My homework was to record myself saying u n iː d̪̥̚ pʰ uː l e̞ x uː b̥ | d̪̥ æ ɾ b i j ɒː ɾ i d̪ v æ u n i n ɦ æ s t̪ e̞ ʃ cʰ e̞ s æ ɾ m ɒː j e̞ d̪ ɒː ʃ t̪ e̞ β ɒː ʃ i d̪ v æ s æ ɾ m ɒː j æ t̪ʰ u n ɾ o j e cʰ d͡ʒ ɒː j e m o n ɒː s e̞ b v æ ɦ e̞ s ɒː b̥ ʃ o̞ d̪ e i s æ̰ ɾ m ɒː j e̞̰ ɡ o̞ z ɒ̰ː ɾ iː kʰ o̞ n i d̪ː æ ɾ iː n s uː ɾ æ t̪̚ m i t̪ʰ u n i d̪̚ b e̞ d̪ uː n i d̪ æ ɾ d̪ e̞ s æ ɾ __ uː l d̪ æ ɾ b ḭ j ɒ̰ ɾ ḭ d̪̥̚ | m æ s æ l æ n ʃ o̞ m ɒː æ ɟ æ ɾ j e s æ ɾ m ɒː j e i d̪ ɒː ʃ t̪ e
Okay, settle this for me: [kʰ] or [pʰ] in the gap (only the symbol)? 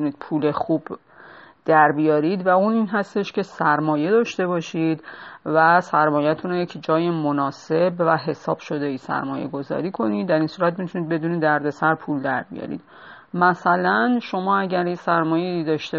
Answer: pʰ